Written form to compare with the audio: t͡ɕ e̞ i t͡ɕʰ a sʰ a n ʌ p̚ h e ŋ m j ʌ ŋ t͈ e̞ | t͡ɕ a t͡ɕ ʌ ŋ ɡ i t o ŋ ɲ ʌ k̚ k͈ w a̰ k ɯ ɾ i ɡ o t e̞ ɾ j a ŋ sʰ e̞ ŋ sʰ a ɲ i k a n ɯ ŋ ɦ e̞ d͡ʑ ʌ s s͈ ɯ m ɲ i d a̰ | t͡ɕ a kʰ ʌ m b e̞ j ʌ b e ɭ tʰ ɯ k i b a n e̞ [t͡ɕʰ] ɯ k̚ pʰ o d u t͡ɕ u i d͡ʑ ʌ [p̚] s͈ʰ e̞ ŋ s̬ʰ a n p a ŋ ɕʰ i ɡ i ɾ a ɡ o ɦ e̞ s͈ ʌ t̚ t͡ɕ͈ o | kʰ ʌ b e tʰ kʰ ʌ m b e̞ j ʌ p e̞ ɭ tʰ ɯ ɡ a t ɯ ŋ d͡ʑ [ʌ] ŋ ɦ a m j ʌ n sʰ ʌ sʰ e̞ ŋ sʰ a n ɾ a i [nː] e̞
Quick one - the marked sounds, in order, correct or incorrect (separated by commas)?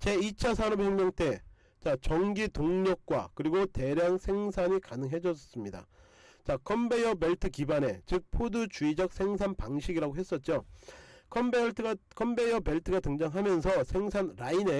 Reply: incorrect, incorrect, incorrect, incorrect